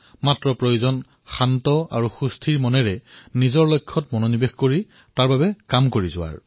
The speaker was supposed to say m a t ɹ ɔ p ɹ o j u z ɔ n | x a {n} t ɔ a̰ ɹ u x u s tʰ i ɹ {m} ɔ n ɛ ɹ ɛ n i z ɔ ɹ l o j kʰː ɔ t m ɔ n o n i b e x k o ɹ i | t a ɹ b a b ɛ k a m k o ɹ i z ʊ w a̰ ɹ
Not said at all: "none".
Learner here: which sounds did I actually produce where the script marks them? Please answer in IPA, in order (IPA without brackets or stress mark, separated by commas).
n, m